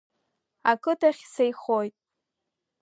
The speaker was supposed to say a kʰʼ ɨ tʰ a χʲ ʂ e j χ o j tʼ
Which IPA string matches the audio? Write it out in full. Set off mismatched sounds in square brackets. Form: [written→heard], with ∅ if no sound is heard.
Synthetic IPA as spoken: a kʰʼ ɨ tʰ a χʲ [ʂ→s] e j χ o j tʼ